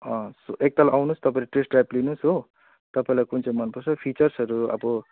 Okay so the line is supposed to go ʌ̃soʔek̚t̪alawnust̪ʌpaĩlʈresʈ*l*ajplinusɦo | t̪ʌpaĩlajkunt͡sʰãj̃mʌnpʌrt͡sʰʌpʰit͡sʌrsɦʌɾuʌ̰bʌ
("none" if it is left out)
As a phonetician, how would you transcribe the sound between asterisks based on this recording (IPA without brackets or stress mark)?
r